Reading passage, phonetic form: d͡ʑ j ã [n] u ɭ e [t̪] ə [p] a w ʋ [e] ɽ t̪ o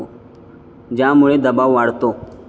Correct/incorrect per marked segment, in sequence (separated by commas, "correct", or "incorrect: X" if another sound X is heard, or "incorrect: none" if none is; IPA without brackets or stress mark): incorrect: m, incorrect: d̪, incorrect: b, incorrect: a